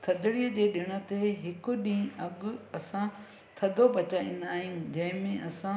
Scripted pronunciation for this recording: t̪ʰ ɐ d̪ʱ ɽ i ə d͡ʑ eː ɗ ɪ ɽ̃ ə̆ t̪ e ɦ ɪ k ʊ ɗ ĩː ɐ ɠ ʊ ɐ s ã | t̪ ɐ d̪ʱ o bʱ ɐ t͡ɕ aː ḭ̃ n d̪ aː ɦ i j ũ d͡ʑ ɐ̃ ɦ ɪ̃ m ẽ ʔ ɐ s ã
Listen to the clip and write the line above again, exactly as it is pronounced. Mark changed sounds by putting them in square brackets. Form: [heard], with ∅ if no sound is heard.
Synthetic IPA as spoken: t̪ʰ ɐ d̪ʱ ɽ i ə d͡ʑ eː ɗ ɪ ɽ̃ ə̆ t̪ e ɦ ɪ k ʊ ɗ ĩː ɐ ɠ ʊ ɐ s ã | [t̪ʰ] ɐ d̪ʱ o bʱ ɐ t͡ɕ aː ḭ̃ n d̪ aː ɦ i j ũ d͡ʑ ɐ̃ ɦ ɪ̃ m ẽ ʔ ɐ s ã